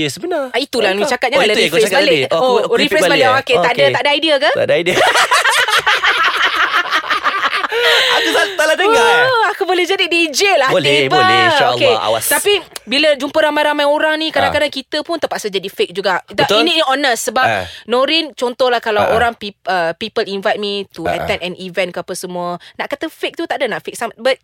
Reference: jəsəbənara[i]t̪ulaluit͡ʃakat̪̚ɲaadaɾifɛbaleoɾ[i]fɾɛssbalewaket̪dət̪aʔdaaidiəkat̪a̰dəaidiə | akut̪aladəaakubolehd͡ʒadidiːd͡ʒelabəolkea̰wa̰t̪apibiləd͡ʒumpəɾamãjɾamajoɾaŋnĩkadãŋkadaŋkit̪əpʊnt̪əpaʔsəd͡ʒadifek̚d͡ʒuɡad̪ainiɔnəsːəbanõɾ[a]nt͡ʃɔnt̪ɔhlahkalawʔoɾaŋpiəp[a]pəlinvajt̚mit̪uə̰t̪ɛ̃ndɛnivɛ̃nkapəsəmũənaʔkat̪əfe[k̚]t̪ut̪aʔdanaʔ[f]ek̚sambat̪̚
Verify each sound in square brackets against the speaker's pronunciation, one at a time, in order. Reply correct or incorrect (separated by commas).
correct, correct, incorrect, incorrect, correct, correct